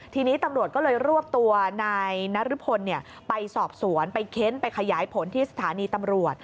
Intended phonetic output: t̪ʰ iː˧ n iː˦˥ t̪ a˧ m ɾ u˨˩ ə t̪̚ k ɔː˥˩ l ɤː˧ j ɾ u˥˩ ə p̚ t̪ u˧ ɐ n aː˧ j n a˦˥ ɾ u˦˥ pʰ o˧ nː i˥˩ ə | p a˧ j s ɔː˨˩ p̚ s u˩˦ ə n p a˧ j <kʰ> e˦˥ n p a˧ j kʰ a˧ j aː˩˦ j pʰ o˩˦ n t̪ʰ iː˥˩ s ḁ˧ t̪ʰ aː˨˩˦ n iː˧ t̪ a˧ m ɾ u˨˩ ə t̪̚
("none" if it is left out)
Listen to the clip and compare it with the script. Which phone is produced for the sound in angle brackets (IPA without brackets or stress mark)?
kʰ